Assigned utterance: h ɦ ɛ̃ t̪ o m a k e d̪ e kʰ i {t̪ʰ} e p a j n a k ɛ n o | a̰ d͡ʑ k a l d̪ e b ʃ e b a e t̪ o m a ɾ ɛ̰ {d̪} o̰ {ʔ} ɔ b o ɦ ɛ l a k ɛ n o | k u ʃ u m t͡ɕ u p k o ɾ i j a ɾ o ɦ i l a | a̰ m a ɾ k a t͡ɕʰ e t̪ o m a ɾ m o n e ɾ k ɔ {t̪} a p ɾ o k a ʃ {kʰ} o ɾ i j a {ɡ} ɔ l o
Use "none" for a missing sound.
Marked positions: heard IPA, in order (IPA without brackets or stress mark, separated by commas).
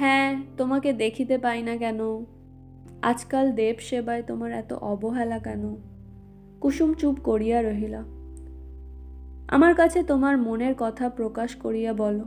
t̪, t̪, ʔ, t̪ʰ, k, b